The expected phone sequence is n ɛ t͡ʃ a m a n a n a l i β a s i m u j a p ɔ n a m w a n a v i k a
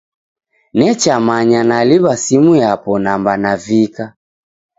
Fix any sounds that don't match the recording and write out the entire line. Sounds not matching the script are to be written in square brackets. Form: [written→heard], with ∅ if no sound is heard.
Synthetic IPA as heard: n ɛ t͡ʃ a m a [n→ɲ] a n a l i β a s i m u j a p ɔ n a m [w→b] a n a v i k a